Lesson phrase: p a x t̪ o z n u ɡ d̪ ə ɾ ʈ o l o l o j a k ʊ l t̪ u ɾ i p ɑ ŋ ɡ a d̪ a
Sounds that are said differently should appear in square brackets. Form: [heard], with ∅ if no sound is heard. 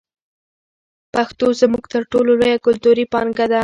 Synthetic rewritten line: p a x t̪ o z [m] u ɡ [t̪] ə ɾ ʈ o l o l o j a k ʊ l t̪ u ɾ i p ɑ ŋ ɡ a d̪ a